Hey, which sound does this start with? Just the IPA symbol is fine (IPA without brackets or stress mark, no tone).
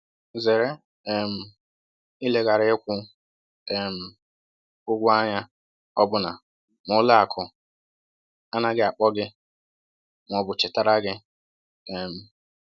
z